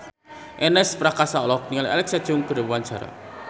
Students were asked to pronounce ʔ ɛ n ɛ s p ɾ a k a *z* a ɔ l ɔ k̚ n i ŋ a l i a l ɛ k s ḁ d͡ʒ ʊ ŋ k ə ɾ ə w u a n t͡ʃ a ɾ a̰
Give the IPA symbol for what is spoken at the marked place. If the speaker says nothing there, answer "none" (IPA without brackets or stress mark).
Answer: s